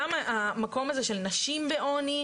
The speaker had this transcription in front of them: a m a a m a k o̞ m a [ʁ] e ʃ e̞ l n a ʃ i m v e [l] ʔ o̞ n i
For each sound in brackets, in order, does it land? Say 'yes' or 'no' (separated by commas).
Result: no, no